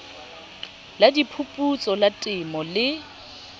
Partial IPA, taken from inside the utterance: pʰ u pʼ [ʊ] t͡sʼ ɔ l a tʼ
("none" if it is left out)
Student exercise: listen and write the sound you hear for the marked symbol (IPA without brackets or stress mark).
u